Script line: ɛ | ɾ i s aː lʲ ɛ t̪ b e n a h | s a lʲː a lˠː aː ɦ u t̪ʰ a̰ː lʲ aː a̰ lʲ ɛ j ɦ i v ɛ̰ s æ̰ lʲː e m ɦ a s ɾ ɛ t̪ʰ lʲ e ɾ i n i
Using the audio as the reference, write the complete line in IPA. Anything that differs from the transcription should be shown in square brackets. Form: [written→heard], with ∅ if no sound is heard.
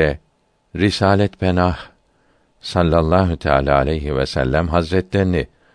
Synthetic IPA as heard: ɛ | ɾ i s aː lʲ ɛ t̪ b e n a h | s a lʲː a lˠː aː ɦ u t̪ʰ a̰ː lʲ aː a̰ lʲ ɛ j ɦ i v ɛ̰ s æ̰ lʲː [e→æ] m ɦ a [s→z] ɾ ɛ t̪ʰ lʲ e ɾ i n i